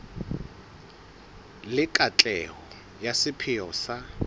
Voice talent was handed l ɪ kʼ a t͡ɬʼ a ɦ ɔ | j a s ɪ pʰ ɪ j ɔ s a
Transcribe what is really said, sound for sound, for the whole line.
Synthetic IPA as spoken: l ɪ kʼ a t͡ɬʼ ɛ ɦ ɔ | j a s ɪ pʰ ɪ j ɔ s a